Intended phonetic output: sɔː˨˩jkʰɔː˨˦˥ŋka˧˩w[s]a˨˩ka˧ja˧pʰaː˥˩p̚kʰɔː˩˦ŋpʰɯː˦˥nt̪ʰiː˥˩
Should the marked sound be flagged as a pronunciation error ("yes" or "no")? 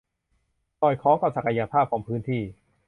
no